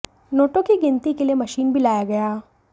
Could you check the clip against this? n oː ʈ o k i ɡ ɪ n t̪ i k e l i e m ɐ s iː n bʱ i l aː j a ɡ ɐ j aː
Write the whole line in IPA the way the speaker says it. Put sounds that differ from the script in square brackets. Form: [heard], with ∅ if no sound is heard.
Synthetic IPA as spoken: n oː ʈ o k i ɡ ɪ n t̪ i k e l i e m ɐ [ʃ] iː n bʱ i l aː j a ɡ ɐ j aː